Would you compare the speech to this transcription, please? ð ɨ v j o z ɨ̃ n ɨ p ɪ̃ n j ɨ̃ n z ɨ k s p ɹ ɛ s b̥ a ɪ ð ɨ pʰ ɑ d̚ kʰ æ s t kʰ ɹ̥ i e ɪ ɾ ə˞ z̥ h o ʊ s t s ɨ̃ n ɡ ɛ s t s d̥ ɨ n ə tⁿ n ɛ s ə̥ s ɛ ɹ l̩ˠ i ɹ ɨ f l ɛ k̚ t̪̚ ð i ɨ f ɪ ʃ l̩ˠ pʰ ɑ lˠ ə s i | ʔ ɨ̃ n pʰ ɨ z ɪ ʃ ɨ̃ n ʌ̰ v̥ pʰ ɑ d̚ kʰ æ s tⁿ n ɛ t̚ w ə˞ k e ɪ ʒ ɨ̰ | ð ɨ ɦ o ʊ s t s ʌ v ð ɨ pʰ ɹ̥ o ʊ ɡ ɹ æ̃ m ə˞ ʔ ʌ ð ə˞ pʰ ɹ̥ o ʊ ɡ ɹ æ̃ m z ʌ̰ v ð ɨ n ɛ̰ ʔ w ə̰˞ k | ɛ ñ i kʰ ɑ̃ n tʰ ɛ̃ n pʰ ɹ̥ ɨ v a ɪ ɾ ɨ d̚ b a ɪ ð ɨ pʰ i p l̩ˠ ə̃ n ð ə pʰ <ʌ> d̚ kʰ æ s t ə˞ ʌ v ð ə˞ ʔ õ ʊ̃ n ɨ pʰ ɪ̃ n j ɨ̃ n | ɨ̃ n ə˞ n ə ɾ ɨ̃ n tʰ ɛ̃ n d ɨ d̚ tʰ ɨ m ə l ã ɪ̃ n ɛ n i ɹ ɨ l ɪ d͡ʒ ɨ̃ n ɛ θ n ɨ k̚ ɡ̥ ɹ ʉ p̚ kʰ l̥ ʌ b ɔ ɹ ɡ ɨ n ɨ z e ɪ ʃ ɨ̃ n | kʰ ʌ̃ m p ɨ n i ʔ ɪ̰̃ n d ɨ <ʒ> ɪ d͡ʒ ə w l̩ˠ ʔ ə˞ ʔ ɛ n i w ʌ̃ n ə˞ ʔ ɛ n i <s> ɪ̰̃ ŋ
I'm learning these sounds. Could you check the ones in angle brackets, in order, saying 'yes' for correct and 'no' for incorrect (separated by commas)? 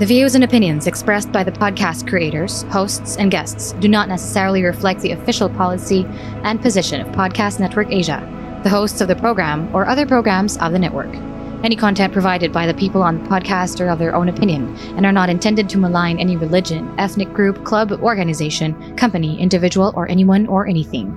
no, no, no